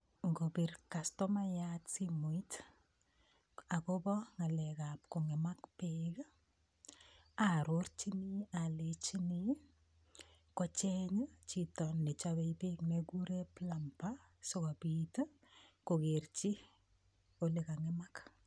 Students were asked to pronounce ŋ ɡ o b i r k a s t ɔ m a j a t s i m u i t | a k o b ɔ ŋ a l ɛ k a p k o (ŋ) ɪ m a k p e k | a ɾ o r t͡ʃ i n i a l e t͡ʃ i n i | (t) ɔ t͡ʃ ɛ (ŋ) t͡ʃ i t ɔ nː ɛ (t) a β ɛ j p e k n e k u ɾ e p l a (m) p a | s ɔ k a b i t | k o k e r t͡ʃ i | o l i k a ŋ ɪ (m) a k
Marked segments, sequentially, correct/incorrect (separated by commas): correct, incorrect, incorrect, incorrect, correct, correct